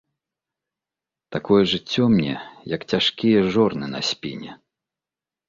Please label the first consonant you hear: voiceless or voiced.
voiceless